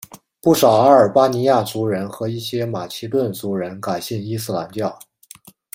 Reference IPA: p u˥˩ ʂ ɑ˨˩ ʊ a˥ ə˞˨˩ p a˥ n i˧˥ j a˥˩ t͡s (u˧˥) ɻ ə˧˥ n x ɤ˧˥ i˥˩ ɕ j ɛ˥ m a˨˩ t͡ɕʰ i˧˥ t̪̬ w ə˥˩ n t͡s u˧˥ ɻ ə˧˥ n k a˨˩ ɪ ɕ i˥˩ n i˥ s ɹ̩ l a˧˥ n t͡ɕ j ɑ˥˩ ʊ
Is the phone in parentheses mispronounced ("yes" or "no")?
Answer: no